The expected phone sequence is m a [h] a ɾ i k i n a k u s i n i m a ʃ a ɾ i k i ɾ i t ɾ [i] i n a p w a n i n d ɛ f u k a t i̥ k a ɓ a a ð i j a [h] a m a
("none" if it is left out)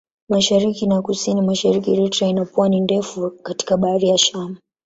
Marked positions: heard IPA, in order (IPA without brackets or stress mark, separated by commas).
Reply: ʃ, a, ʃ